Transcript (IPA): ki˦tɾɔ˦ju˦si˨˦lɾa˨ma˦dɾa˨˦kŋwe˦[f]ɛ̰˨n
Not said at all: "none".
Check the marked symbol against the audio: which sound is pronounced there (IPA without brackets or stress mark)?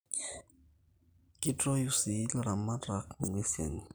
s